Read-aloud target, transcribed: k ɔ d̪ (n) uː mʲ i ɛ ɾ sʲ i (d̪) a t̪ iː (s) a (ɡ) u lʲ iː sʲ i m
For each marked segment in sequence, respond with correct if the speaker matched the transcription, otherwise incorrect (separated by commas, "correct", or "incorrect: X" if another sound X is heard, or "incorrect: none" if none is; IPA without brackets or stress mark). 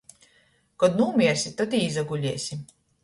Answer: correct, incorrect: t̪, incorrect: z, correct